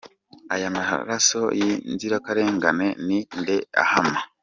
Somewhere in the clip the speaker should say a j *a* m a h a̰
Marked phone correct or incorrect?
correct